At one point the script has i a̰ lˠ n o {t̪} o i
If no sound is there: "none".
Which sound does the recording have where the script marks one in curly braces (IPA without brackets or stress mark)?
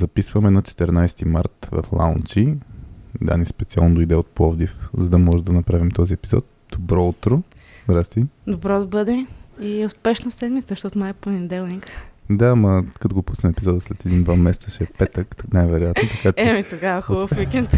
d̪